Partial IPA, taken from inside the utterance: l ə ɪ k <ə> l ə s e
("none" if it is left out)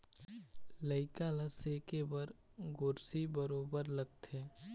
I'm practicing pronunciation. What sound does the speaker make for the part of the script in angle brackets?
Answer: a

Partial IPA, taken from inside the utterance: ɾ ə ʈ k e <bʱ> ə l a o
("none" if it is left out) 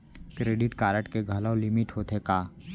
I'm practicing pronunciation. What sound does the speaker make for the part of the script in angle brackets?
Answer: ɡʱ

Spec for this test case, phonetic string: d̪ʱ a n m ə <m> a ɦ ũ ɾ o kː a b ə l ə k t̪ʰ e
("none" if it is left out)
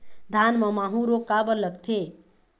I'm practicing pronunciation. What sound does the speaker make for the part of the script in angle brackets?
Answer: m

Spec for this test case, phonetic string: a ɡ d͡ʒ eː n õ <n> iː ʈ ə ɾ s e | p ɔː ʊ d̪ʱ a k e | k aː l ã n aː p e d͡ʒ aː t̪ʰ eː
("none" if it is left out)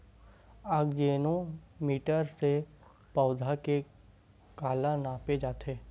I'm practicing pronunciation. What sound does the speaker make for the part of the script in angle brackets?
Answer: m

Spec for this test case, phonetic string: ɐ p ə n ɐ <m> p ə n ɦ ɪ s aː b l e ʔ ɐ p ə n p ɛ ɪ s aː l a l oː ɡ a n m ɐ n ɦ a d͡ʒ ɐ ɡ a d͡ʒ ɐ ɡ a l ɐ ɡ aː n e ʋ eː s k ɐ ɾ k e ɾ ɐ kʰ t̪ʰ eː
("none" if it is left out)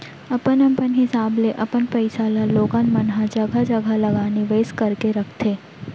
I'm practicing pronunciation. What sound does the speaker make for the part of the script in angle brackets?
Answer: m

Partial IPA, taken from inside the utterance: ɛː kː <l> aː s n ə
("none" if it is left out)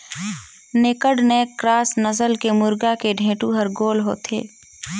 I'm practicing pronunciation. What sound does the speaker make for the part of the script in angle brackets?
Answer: ɾ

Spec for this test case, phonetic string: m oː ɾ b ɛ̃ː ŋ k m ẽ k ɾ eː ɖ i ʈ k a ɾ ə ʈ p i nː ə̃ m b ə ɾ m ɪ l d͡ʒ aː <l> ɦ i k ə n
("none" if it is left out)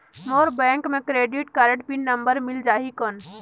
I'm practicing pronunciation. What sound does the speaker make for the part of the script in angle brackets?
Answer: none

